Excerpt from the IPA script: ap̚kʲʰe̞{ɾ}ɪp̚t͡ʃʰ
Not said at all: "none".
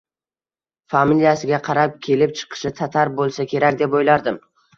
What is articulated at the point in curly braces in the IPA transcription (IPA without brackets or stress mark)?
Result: l